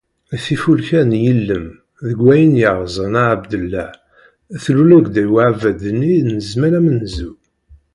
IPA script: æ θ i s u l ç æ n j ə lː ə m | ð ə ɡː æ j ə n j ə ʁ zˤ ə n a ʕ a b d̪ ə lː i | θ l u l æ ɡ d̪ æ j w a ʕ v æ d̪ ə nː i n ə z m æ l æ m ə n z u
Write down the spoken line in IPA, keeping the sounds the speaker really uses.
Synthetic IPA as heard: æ θ i f u l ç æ n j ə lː ə m | ð ə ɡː æ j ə n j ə ʁ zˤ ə n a ʕ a b d̪ ə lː æ | θ l u l æ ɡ d̪ æ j w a ʕ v æ d̪ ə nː i n ə z m æ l æ m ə n z u